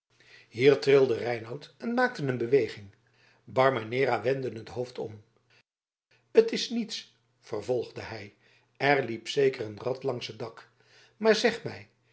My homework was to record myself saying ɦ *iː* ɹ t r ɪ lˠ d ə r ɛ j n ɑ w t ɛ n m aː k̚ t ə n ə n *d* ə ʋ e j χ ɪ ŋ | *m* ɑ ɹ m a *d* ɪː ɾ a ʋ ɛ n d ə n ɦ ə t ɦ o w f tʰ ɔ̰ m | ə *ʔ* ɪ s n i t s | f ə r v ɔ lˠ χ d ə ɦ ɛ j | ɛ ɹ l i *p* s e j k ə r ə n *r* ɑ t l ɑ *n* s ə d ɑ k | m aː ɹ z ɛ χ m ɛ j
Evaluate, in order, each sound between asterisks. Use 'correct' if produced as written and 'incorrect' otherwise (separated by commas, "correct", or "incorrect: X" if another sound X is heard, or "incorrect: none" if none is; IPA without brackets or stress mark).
correct, incorrect: b, incorrect: b, incorrect: n, incorrect: t, correct, correct, incorrect: ŋ